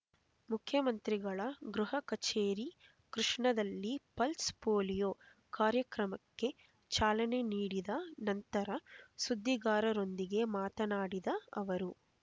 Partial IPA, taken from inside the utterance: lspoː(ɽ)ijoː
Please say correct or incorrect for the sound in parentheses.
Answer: incorrect: l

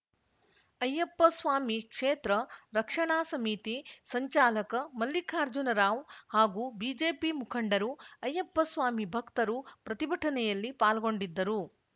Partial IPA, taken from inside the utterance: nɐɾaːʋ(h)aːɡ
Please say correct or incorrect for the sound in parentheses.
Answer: correct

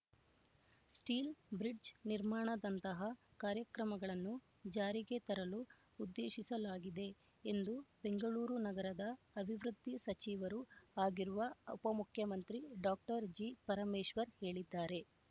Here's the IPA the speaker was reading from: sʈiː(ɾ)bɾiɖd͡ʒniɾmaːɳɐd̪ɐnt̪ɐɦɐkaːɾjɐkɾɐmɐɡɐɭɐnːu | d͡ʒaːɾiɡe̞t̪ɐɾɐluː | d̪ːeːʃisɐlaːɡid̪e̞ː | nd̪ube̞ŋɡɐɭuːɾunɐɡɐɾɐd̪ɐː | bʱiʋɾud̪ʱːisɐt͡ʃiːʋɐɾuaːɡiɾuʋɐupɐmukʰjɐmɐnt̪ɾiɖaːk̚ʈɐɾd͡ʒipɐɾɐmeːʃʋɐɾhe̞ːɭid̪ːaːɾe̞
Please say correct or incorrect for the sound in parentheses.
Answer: incorrect: l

